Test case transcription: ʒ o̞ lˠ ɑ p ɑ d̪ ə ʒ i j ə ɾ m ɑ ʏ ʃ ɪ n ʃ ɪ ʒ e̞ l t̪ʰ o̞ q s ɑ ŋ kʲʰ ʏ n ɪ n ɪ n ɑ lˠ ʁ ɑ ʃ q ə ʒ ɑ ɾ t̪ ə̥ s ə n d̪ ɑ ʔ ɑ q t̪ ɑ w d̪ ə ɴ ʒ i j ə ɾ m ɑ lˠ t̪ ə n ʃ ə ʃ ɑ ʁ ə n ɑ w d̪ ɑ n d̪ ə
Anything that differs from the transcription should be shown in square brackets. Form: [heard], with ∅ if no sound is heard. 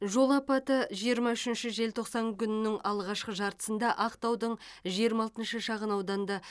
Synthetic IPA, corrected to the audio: ʒ o̞ lˠ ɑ p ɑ [t̪] ə ʒ i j ə ɾ m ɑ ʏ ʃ ɪ n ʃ ɪ ʒ e̞ l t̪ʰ o̞ q s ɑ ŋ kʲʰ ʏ n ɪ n ɪ [ŋ] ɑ lˠ ʁ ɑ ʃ q ə ʒ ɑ ɾ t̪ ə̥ s ə n d̪ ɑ ʔ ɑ q t̪ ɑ w d̪ ə ɴ ʒ i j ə ɾ m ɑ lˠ t̪ ə n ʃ ə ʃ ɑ ʁ ə n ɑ w d̪ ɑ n d̪ [ɑ]